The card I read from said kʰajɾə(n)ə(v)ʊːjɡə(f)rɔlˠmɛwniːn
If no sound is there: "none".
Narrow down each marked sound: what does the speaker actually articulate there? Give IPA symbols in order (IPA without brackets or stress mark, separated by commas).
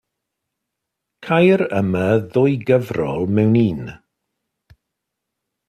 m, ð, v